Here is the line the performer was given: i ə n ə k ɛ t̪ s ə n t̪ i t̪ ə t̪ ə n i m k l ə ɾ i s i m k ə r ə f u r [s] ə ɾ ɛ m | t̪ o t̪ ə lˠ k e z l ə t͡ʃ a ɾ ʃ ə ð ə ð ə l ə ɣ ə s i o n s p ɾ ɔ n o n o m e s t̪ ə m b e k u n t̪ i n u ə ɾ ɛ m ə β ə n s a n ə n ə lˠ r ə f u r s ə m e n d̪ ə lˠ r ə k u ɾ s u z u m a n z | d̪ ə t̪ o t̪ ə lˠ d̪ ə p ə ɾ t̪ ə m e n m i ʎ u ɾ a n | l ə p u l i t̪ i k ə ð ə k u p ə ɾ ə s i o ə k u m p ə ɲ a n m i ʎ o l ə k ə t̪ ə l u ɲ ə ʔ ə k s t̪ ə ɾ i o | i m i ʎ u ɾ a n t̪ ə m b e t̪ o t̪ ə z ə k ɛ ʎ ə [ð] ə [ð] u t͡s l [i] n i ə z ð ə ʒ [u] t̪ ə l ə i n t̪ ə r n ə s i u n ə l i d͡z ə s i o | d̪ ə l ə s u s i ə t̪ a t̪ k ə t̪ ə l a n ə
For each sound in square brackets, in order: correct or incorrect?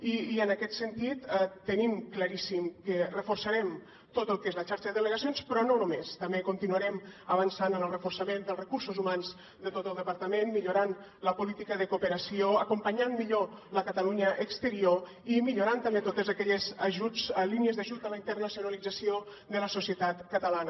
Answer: correct, incorrect, incorrect, correct, correct

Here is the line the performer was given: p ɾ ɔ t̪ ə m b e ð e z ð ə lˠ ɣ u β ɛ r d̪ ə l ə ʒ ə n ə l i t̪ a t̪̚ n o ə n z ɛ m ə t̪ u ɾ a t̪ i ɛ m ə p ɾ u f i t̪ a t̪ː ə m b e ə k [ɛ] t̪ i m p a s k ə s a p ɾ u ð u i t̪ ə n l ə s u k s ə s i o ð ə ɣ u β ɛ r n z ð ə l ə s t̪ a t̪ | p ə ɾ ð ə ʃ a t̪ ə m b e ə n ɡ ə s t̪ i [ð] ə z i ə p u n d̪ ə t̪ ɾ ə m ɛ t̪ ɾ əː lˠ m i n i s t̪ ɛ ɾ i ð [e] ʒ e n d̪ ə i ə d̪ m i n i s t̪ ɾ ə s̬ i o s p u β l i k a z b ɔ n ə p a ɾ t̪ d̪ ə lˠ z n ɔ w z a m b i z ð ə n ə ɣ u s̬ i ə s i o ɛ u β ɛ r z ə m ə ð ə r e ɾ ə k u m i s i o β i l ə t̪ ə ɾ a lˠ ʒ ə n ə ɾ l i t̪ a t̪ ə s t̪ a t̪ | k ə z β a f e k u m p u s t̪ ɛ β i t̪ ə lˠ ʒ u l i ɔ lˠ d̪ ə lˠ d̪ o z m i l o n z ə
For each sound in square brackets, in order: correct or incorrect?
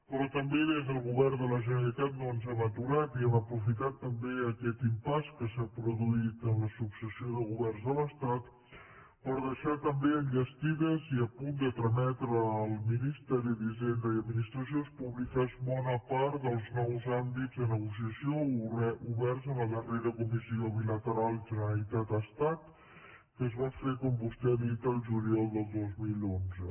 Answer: correct, correct, incorrect

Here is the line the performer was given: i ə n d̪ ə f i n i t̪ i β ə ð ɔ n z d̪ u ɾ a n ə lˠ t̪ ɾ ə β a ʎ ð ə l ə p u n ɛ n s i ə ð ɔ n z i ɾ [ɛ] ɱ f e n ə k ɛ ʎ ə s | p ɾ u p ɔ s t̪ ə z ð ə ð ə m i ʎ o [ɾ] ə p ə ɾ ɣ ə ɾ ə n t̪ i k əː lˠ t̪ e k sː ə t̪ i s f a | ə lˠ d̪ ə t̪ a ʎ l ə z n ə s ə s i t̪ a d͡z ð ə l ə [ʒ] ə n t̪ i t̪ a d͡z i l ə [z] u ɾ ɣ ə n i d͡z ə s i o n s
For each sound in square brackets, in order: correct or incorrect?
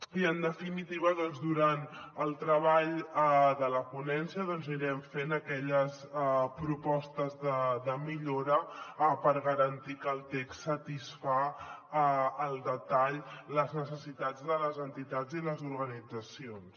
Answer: correct, correct, incorrect, correct

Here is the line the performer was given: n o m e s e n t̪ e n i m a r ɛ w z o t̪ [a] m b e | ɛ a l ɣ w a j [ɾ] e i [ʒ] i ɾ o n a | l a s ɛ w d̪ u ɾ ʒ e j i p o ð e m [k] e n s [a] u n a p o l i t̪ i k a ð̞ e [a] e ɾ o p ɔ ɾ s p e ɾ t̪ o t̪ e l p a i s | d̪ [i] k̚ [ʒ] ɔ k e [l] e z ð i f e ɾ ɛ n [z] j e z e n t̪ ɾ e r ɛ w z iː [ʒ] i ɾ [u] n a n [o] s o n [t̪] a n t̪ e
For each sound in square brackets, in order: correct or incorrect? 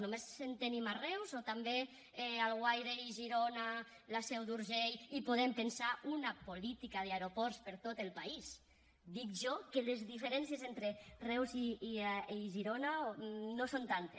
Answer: correct, correct, correct, incorrect, correct, correct, correct, correct, correct, incorrect, correct, incorrect, correct, correct

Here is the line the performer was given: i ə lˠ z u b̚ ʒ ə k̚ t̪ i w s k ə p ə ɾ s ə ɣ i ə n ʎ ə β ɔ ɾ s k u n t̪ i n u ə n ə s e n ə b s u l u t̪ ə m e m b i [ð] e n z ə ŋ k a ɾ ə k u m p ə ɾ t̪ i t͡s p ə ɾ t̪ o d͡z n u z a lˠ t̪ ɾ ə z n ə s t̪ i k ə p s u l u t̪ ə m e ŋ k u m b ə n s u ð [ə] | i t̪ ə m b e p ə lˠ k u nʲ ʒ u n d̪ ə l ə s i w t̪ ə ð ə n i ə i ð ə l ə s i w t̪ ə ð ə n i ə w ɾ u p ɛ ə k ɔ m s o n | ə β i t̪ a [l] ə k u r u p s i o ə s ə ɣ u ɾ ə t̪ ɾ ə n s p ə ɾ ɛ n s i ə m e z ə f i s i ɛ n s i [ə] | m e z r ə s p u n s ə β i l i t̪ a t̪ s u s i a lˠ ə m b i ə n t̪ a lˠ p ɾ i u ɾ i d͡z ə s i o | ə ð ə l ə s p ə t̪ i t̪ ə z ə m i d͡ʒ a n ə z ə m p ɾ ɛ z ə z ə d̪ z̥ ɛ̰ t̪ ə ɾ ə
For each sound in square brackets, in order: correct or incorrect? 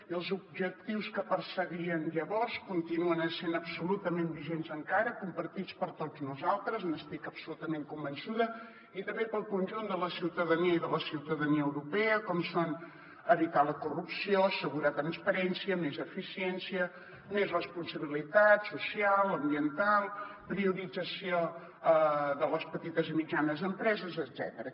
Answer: incorrect, correct, correct, correct

